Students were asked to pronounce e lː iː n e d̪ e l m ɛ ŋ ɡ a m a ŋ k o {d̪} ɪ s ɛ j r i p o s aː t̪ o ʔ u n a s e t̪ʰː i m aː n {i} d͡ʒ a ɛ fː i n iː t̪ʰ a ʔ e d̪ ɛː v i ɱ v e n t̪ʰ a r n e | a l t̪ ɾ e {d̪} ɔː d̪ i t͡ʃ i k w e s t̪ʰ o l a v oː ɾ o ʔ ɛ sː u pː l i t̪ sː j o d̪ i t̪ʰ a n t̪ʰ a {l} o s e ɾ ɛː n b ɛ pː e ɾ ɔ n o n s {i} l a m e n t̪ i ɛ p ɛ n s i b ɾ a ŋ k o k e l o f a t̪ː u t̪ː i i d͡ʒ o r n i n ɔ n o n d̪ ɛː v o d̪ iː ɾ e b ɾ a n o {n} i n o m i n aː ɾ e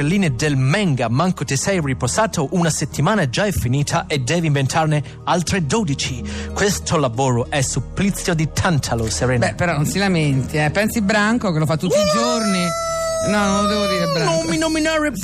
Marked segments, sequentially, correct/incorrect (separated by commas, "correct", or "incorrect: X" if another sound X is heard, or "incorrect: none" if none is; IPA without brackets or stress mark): incorrect: t̪, incorrect: a, correct, correct, correct, incorrect: m